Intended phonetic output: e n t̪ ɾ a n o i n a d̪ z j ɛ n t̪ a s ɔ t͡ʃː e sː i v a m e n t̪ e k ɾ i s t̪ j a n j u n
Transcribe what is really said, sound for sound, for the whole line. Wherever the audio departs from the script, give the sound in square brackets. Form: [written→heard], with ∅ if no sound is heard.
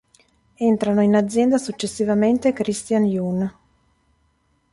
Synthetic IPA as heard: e n t̪ ɾ a n o i n a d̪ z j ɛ n [t̪→d̪] a s [ɔ→u] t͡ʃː e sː i v a m e n t̪ e k ɾ i s t̪ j a n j u n